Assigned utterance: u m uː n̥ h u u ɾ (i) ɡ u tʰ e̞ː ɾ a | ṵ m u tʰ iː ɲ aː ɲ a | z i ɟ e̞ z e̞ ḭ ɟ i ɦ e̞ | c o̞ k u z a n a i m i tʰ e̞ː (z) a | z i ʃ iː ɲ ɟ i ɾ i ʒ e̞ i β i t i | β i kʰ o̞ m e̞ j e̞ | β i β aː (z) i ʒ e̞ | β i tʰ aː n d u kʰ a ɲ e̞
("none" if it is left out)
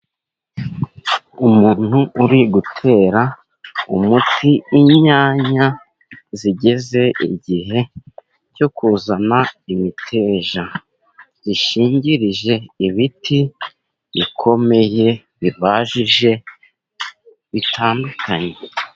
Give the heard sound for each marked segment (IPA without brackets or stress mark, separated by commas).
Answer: i, ʒ, ʒ